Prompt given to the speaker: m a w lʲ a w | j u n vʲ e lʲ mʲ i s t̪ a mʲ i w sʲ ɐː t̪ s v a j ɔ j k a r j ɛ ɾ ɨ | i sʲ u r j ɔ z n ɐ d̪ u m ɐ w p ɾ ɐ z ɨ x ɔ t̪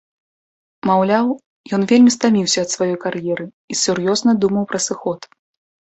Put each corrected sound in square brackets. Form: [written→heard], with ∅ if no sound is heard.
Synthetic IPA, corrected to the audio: m a w lʲ a w | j [u→ɔ] n vʲ e lʲ mʲ i s t̪ a mʲ i w sʲ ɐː t̪ s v a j ɔ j k a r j ɛ ɾ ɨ | i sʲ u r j ɔ z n ɐ d̪ u m ɐ w p ɾ ɐ [z→s] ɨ x ɔ t̪